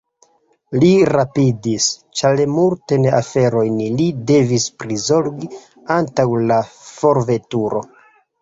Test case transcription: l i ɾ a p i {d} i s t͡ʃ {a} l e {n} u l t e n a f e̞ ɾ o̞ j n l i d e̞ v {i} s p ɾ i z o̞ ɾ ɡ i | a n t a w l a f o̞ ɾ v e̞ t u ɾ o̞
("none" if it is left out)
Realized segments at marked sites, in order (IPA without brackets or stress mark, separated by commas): d, a, m, i